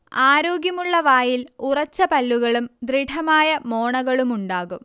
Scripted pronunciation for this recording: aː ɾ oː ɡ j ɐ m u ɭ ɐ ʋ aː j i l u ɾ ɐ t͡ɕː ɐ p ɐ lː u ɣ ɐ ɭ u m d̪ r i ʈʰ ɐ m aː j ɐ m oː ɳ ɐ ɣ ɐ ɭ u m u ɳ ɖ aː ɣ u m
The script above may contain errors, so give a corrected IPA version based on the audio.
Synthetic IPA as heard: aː ɾ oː ɡ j ɐ m u ɭː ɐ ʋ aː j i l u r ɐ t͡ɕː ɐ p ɐ lː u ɣ ɐ ɭ u m d̪ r i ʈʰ ɐ m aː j ɐ m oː ɳ ɐ ɣ ɐ ɭ u m u ɳ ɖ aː ɣ u m